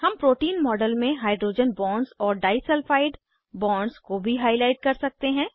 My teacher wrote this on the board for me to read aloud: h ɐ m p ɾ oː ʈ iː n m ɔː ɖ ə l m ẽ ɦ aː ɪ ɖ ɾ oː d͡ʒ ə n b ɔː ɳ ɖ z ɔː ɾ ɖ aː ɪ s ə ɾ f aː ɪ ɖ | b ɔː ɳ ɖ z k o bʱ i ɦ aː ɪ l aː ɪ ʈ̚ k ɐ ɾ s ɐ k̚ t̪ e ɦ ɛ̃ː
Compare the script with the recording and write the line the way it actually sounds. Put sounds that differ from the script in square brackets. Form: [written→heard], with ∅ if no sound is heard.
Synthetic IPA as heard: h ɐ m p ɾ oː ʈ iː n m ɔː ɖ ə l m ẽ ɦ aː ɪ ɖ ɾ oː d͡ʒ ə n b ɔː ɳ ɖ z ɔː ɾ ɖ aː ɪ s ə [ɾ→l] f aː ɪ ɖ | b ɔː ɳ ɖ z k o bʱ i ɦ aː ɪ l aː ɪ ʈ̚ k ɐ ɾ s ɐ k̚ t̪ e ɦ ɛ̃ː